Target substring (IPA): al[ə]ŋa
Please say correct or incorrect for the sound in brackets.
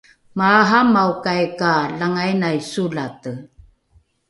incorrect